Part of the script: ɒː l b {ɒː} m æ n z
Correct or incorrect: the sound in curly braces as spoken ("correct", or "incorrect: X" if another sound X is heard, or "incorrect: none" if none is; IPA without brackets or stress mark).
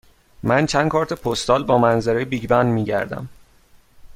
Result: correct